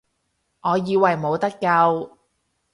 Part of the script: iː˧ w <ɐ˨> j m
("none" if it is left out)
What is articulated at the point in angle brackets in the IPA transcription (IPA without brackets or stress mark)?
ɐ˨